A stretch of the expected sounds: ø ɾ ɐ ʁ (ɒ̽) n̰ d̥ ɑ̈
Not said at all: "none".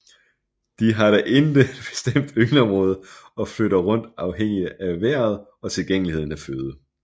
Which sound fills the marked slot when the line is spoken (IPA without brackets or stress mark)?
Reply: ɔ̽